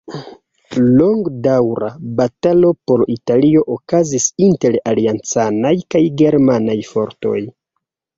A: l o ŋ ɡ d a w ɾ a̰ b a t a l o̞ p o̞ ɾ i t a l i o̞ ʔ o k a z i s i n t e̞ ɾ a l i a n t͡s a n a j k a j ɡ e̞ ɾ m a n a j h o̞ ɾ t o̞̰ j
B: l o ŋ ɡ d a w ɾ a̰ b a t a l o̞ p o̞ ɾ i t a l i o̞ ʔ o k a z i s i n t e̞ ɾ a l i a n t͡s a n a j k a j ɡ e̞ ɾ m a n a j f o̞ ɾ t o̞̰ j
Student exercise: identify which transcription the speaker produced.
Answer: B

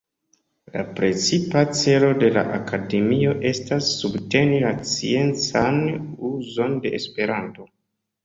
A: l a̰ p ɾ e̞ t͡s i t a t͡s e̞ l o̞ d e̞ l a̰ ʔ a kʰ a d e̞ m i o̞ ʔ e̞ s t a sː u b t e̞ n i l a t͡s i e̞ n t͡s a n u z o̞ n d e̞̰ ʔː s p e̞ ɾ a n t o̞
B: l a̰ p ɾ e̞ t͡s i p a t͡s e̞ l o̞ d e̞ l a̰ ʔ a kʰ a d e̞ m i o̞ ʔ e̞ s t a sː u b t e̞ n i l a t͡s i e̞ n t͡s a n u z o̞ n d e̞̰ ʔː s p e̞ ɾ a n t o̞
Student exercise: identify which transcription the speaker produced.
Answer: B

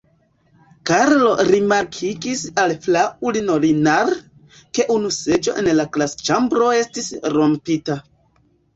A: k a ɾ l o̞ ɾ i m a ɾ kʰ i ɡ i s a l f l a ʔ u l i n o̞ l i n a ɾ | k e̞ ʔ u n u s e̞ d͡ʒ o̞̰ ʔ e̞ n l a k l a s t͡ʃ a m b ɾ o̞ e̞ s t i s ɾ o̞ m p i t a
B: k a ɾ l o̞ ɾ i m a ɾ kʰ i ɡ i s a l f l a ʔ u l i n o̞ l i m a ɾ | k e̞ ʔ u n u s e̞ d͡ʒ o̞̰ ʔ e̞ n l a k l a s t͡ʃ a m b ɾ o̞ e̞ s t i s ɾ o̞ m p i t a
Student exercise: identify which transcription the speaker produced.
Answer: A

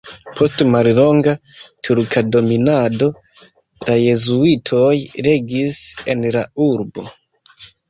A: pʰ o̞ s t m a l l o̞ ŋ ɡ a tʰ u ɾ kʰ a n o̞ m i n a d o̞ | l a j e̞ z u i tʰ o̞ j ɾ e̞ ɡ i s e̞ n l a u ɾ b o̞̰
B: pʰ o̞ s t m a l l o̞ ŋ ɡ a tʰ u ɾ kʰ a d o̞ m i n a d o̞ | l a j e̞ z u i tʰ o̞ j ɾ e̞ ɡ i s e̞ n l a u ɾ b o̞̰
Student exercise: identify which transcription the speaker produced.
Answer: B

